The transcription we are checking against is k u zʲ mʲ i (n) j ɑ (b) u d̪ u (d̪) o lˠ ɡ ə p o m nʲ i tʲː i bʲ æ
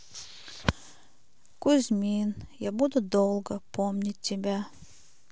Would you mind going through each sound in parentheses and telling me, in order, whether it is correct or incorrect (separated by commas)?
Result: correct, correct, correct